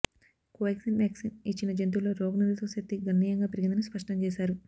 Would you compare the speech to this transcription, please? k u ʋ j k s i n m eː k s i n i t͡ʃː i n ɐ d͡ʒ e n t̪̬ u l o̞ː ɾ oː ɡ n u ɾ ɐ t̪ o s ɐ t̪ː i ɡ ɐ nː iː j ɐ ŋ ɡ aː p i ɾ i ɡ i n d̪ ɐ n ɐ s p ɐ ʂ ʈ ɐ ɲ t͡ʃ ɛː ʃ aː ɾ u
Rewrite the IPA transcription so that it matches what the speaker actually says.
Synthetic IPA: k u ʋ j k s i n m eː k s i n i t͡ʃː i n ɐ d͡ʒ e n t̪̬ u l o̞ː ɾ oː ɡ n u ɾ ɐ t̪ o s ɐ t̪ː i ɡ ɐ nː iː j ɐ ŋ ɡ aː p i ɾ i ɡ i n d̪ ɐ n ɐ s p ɐ ʂ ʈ ɐ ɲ t͡ʃ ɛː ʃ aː ɾ u